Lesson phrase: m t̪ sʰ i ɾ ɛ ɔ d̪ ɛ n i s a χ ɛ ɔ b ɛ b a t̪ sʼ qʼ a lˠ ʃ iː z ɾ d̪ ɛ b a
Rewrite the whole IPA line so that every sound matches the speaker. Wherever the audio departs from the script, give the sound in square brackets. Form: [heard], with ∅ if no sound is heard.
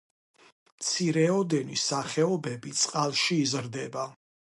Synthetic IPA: m t̪ sʰ i ɾ ɛ ɔ d̪ ɛ n i s a χ ɛ ɔ b ɛ b [i] t̪ sʼ qʼ a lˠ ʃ iː z ɾ d̪ ɛ b a